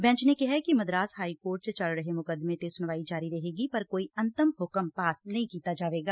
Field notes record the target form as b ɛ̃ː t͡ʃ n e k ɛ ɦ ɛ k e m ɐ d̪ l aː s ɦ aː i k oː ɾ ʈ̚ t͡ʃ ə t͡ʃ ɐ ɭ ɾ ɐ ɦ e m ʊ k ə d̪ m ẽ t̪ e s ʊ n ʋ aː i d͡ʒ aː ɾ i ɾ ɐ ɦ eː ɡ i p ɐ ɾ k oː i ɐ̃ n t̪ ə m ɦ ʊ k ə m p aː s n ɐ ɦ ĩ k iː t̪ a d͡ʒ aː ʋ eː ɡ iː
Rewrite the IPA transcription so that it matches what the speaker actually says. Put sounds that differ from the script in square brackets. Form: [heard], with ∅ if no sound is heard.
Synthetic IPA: b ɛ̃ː t͡ʃ n e k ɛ ɦ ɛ k [i] m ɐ d̪ [ɾ] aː s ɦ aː i k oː ɾ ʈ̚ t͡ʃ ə t͡ʃ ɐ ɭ ɾ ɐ ɦ e m ʊ k ə d̪ m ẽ t̪ e s ʊ n ʋ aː i d͡ʒ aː ɾ i ɾ ɐ ɦ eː ɡ i p ɐ ɾ k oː i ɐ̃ n t̪ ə m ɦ ʊ k ə m p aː s n ɐ ɦ ĩ k iː t̪ a d͡ʒ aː ʋ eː ɡ [aː]